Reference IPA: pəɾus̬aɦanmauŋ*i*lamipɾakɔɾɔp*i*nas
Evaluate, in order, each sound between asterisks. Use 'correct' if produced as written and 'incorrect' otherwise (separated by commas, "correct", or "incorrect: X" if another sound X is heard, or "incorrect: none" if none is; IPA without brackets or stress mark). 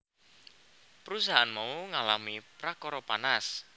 incorrect: a, incorrect: a